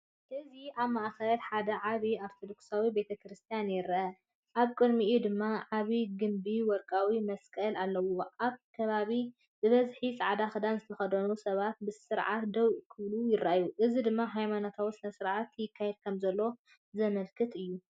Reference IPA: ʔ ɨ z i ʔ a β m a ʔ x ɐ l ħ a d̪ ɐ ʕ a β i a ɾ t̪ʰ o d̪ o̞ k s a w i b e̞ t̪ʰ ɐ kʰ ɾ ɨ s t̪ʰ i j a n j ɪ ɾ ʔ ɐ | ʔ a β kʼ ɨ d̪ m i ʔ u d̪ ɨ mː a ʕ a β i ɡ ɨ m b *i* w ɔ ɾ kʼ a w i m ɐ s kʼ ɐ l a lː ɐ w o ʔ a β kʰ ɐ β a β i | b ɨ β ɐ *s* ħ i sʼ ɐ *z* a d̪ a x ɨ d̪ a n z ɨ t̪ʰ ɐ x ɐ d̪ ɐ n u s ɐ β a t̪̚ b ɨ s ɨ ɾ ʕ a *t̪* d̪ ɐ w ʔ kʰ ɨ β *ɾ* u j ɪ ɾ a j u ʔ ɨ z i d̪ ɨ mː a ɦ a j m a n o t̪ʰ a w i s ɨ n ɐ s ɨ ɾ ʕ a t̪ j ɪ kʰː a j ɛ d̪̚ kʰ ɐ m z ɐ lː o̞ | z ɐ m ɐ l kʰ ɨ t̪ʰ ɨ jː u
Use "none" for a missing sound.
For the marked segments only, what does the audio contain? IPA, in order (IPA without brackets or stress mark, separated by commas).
i, z, ʕ, t̪, l